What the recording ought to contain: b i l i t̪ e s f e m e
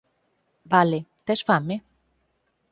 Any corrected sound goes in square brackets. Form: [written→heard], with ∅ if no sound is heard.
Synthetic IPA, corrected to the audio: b [i→a] l [i→e] t̪ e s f [e→a] m e